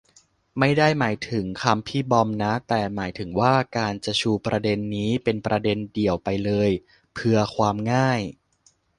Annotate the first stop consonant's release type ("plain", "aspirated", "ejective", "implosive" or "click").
plain